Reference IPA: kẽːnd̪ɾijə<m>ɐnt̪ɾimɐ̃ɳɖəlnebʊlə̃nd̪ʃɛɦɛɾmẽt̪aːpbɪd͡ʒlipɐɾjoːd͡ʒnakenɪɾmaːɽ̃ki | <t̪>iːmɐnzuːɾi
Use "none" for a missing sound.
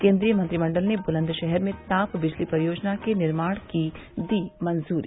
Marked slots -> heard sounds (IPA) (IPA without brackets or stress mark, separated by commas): m, d̪